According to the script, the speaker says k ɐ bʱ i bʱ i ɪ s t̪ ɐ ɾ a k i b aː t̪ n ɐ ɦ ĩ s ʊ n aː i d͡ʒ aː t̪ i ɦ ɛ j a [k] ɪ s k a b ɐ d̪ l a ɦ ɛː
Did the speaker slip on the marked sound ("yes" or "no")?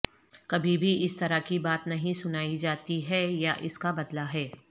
yes